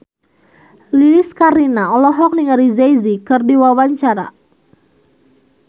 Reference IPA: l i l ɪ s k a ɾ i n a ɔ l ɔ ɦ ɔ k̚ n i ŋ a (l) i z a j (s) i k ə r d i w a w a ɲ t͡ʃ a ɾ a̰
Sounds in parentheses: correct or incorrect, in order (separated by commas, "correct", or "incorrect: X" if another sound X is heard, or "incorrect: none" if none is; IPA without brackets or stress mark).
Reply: incorrect: ɾ, incorrect: z